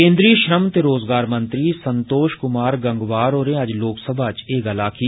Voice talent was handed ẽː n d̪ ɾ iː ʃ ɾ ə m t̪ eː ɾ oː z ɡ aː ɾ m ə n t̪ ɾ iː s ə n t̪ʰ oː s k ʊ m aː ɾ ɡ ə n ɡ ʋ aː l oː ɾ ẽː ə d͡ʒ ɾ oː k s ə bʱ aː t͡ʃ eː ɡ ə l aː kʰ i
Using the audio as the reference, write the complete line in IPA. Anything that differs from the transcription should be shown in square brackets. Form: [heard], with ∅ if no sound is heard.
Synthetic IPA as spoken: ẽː n d̪ ɾ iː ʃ ɾ ə m t̪ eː ɾ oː z ɡ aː ɾ m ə n t̪ ɾ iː s ə n [t̪] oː [ʃ] k ʊ m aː ɾ ɡ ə [ŋ] ɡ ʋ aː [ɾ] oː ɾ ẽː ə d͡ʒ [l] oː k s ə bʱ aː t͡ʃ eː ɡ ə l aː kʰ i